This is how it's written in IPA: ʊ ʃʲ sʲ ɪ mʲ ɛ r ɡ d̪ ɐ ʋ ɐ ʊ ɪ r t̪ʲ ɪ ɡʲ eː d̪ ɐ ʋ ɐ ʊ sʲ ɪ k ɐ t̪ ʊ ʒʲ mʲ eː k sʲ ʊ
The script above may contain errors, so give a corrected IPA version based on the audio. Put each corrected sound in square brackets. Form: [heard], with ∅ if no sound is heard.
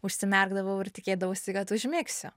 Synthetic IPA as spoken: ʊ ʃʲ sʲ ɪ mʲ ɛ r ɡ d̪ ɐ ʋ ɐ ʊ ɪ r t̪ʲ ɪ [kʲ] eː d̪ ɐ ʋ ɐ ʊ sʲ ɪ k ɐ t̪ ʊ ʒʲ mʲ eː k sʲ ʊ